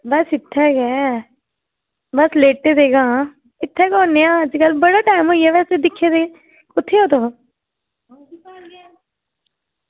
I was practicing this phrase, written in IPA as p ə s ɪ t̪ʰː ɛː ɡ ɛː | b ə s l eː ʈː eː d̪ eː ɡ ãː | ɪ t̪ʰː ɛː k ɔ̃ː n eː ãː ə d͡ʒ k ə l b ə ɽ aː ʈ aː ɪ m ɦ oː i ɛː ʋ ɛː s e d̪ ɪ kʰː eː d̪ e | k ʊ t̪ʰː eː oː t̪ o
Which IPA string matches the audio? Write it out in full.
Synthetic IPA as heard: b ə s ɪ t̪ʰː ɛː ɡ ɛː | b ə s l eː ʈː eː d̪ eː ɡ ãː | ɪ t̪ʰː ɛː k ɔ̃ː n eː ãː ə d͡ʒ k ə l b ə ɽ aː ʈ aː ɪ m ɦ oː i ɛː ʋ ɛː s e d̪ ɪ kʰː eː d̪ e | k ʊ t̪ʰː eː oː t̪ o